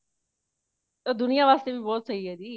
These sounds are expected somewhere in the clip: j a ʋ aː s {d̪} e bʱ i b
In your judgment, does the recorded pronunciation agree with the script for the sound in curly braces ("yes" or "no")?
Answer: no